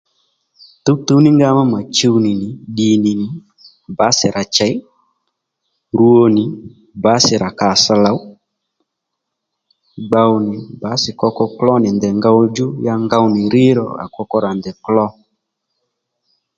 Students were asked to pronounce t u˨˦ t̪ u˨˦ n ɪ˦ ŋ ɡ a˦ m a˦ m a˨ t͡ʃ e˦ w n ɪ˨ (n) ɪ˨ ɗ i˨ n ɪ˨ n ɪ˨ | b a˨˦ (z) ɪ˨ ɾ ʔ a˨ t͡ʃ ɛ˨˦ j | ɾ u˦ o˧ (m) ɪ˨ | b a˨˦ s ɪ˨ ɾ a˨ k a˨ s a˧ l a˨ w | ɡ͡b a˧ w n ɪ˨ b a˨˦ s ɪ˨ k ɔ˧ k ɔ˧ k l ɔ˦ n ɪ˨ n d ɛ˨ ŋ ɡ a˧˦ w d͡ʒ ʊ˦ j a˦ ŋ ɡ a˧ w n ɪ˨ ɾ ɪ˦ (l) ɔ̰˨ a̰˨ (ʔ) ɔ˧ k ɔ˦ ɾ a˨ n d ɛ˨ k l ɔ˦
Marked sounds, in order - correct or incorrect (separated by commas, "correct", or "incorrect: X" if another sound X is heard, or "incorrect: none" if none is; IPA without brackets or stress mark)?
correct, incorrect: s, incorrect: n, incorrect: ɾ, incorrect: k